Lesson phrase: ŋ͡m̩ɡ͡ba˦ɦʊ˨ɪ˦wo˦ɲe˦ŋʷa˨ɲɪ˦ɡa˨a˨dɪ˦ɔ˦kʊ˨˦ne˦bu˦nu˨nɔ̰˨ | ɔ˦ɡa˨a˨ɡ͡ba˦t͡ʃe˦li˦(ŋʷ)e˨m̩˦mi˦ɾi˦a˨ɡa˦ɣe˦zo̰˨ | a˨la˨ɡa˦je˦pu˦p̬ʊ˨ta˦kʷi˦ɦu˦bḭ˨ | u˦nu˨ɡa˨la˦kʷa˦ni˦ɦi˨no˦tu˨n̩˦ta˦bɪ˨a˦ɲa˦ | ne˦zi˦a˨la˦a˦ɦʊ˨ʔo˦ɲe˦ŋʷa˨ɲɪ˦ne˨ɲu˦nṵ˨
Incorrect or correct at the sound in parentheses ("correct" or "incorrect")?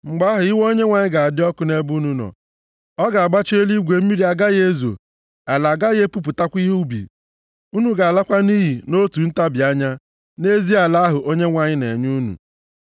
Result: incorrect